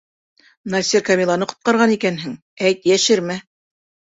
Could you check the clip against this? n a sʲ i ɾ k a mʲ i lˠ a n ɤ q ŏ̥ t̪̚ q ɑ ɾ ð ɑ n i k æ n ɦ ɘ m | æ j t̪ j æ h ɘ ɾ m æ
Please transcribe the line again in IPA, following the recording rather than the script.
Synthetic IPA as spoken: n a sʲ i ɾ k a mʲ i lˠ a n ɤ q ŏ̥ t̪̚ q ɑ ɾ ʁ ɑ n i k æ n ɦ ɘ ŋ | æ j t̪ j æ ʃ ɘ ɾ m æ